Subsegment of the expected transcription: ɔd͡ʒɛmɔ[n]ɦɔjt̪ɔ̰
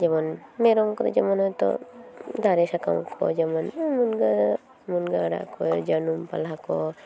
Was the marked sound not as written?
no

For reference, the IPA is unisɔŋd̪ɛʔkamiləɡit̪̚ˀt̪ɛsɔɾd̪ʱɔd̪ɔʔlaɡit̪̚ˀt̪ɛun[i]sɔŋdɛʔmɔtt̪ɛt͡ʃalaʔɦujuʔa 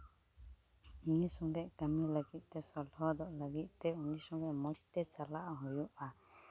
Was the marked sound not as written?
no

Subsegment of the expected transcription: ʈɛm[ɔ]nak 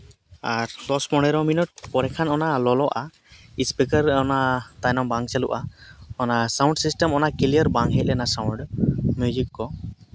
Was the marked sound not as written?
no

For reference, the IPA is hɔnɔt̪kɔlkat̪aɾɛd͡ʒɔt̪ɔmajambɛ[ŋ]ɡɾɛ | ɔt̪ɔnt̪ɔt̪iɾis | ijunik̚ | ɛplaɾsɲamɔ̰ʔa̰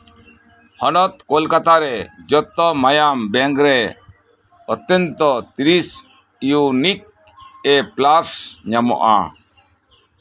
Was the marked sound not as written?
no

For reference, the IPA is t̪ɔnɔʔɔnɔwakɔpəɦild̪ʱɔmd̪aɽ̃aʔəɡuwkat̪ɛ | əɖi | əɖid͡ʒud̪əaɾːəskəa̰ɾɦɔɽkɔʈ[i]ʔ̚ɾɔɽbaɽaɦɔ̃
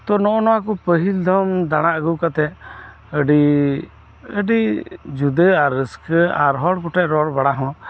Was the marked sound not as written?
yes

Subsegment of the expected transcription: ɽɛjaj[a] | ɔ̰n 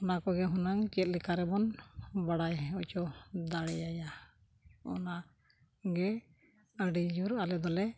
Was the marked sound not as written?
no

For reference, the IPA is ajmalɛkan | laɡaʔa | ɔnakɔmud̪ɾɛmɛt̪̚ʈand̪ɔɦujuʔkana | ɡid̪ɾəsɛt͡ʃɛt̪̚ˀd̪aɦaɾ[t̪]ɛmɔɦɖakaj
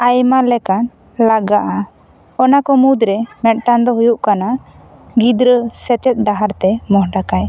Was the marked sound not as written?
no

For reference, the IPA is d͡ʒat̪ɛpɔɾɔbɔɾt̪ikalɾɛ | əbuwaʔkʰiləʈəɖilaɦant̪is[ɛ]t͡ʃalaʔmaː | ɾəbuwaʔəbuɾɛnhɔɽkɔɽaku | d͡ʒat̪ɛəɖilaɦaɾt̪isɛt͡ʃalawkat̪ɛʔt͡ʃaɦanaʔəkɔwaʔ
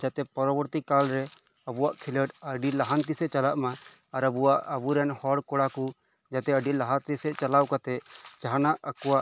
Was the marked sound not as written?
no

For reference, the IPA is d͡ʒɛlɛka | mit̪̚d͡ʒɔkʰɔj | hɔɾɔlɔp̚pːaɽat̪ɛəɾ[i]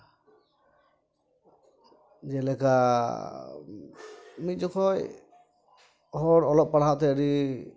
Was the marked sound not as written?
no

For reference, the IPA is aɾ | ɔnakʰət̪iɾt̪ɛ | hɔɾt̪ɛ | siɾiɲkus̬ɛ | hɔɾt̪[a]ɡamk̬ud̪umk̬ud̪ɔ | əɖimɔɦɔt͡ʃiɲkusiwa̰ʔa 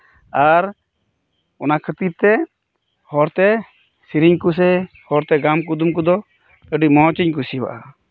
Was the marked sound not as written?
yes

